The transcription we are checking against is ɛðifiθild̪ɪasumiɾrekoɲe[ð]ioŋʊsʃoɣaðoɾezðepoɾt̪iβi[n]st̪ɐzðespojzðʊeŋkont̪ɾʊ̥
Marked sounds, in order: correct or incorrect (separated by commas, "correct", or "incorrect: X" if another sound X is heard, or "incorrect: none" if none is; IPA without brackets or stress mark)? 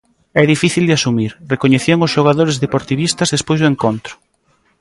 incorrect: θ, incorrect: none